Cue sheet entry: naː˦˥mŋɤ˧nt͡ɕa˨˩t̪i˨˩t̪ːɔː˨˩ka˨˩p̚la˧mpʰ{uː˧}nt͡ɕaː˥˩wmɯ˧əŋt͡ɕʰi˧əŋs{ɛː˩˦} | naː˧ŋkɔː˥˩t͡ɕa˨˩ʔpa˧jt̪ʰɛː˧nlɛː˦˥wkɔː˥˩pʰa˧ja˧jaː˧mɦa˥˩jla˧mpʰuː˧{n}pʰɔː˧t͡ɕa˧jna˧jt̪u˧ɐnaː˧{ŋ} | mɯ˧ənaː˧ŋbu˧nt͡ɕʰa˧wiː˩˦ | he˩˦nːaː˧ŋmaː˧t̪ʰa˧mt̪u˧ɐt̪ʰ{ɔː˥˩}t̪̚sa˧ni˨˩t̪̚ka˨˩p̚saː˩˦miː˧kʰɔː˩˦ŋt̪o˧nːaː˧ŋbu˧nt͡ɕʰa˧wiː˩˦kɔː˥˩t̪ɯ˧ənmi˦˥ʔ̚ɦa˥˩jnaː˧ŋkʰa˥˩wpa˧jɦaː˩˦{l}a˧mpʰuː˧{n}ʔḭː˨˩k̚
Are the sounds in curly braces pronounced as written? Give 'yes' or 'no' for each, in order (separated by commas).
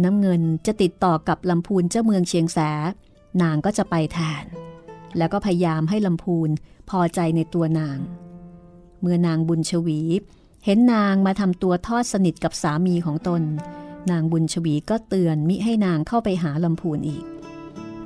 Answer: yes, yes, yes, yes, yes, yes, yes